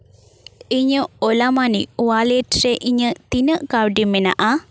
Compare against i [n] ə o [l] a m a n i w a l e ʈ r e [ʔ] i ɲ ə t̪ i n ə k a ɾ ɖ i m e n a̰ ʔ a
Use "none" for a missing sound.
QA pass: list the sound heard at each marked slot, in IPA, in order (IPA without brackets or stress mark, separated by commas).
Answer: ɲ, l, ʔ